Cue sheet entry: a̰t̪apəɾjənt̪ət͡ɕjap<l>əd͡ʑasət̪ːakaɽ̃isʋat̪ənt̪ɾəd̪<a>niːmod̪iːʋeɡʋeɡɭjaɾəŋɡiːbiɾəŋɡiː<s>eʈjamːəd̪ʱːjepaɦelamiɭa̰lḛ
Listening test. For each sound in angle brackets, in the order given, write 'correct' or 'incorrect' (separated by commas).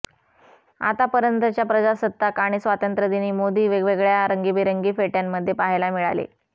incorrect, incorrect, incorrect